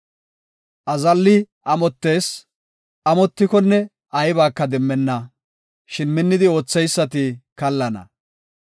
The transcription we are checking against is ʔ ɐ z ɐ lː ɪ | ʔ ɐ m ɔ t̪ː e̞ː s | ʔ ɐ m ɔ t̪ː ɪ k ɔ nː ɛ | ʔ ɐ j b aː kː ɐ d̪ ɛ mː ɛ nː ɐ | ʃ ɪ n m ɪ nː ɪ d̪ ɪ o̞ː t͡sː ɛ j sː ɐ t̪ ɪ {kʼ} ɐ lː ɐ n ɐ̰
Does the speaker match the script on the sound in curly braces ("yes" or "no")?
no